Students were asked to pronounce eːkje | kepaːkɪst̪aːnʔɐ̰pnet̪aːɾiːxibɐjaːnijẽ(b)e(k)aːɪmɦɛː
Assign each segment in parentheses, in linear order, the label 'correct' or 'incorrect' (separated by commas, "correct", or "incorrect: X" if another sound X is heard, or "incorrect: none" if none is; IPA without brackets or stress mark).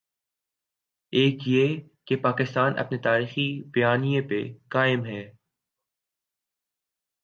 incorrect: p, correct